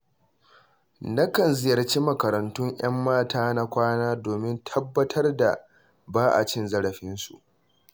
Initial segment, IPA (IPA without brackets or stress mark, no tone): n